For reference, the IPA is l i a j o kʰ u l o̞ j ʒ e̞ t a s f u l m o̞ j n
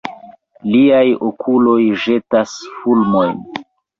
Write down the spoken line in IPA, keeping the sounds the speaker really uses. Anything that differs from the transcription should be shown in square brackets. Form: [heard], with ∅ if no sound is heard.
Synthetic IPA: l i a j o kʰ u l o̞ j ʒ e̞ t a s f u l m o̞ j n